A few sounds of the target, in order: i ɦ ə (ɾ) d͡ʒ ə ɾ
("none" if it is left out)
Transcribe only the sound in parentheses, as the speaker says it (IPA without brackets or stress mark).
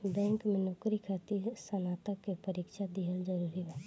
l